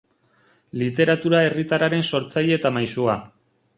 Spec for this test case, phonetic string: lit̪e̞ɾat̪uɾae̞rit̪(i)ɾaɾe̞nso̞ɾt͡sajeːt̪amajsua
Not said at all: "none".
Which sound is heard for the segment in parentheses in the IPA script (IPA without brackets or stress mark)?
a